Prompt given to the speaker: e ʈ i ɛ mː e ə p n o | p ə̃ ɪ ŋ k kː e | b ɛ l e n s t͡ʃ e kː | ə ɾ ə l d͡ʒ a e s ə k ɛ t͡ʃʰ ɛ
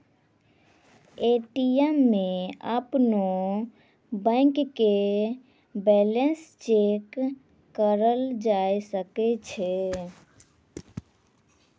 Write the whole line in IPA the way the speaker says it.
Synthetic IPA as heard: e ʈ i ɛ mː e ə p n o | b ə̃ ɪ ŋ k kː e | b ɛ l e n s t͡ʃ e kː | ə ɾ ə l d͡ʒ a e s ə k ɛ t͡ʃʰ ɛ